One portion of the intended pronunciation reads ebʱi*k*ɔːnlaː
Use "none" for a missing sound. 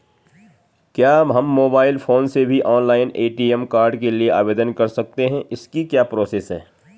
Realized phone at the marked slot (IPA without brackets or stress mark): ʔ